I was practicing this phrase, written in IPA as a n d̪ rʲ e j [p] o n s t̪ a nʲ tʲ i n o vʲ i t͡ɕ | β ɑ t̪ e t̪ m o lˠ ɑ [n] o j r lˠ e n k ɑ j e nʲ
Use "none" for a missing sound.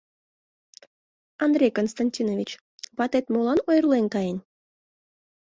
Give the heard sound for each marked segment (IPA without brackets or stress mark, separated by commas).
k, n